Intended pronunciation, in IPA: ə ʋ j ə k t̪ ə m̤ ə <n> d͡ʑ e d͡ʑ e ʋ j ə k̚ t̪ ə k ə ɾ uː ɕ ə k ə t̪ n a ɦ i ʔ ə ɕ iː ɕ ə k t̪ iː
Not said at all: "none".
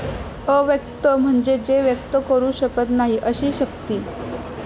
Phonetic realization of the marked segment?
ɳ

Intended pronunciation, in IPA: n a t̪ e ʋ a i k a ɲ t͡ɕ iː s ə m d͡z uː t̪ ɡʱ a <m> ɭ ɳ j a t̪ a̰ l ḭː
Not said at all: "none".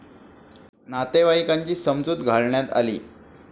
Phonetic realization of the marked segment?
none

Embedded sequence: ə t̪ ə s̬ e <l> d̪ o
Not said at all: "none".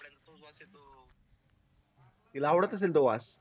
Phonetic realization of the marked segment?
l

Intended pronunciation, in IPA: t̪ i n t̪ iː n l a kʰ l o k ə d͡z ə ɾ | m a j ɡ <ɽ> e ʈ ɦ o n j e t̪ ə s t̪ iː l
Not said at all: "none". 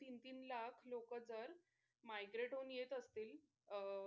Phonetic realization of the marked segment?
ɾ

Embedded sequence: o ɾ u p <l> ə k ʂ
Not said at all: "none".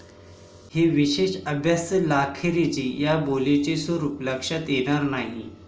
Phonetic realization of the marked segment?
l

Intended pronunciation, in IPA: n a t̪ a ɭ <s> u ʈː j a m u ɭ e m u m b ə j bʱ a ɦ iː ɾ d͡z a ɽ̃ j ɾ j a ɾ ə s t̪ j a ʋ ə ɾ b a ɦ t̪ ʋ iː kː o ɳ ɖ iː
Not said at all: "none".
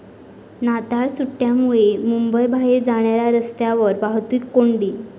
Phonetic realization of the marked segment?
s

